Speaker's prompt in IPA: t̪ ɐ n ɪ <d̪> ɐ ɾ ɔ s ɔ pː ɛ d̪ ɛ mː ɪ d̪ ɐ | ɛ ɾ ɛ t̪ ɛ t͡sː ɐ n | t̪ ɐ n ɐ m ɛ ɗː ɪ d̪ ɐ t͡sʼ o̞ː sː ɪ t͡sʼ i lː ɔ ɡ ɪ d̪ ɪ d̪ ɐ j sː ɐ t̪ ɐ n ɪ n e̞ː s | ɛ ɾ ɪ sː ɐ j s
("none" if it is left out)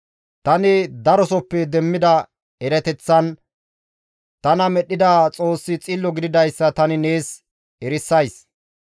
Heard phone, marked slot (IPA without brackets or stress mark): d̪